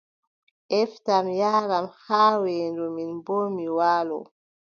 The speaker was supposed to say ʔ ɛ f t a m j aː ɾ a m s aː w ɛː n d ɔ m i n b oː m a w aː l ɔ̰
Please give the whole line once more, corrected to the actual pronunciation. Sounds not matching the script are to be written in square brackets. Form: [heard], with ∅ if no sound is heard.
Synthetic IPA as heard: ʔ ɛ f t a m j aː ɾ a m [h] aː w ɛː n d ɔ m i n b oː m [i] w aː l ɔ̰